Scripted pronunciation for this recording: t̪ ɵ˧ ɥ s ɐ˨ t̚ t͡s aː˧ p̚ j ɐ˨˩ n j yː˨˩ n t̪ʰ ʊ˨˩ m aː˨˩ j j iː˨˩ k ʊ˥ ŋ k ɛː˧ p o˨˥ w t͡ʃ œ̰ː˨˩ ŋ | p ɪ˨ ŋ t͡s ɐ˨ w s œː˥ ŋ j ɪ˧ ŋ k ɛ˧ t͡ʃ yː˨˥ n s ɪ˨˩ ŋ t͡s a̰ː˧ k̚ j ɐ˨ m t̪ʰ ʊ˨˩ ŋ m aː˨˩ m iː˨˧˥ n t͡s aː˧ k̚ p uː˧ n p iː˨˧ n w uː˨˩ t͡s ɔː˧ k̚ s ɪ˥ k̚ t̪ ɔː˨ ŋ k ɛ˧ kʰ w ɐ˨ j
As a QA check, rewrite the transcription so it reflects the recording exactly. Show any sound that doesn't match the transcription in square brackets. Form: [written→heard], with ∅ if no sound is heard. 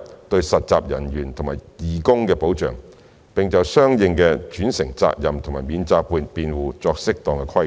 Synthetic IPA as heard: t̪ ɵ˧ ɥ s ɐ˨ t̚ t͡s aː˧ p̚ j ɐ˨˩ n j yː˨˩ n t̪ʰ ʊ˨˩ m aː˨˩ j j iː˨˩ k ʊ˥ ŋ k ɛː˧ p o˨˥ w t͡ʃ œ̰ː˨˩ ŋ | p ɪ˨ ŋ t͡s ɐ˨ w s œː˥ ŋ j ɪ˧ ŋ k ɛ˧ t͡ʃ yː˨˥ n s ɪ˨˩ ŋ t͡s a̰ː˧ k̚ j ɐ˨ m t̪ʰ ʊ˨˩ ŋ m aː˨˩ m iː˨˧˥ n t͡s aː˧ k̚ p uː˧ n p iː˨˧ n w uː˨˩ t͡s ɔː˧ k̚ s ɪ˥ k̚ t̪ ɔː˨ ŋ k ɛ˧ kʰ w [ɐ˨→ɐ˥] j